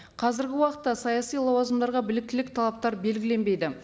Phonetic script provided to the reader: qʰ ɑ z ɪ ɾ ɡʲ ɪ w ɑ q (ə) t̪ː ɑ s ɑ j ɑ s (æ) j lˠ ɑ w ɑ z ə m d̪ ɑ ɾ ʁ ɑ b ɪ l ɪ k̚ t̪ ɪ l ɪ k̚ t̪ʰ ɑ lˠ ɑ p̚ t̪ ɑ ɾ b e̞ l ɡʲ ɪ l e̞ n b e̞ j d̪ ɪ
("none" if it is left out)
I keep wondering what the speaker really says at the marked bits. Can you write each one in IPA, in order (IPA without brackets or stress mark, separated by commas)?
ə, i